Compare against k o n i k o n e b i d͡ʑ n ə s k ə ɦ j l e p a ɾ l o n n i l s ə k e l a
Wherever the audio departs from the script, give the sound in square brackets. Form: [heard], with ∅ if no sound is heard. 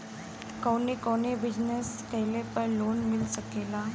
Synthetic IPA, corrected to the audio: k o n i k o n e b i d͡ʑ n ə s k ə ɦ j l e p [ə] ɾ l o n [m] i l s ə k e l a